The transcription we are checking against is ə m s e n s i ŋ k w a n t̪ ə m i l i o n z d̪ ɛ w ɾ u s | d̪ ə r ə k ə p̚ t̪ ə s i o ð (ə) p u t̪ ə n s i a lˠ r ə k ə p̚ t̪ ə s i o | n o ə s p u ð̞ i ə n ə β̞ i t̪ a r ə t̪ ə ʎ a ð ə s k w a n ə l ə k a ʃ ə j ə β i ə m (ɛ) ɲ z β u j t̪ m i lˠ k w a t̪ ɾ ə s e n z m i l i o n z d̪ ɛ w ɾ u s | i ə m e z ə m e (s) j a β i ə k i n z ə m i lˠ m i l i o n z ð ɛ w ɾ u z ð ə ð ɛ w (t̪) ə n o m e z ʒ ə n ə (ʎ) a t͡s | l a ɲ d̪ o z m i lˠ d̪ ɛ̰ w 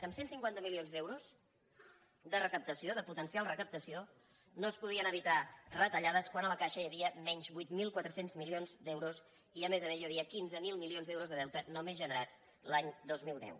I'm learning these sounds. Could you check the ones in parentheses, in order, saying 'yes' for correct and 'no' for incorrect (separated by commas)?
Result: yes, yes, no, yes, no